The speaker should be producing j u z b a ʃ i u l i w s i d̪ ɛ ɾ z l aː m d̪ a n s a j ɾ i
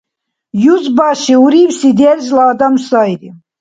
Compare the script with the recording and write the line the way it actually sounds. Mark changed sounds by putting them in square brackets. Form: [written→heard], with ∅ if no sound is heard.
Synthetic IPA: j u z b a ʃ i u [l→ɾ] i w s i d̪ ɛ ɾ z l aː [m→∅] d̪ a [n→m] s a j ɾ i